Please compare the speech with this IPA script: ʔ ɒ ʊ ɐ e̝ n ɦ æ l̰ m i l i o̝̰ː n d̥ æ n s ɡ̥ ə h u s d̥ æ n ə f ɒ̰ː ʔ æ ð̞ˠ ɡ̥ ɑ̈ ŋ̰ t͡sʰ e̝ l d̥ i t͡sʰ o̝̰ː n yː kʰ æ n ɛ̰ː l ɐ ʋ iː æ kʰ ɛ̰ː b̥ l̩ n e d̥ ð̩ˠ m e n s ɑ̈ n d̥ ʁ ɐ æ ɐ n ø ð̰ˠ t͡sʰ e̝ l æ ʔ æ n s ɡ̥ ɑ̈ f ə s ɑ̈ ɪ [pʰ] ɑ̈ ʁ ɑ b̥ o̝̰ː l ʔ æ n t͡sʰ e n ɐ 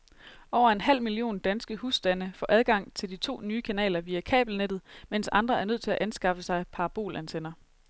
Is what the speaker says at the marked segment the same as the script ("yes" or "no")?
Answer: yes